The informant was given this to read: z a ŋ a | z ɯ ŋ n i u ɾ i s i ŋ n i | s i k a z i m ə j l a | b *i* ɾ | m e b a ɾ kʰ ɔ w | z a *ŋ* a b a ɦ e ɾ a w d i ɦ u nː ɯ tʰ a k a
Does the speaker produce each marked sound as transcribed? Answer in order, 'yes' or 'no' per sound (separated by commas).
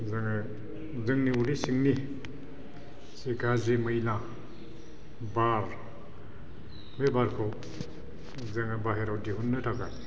no, yes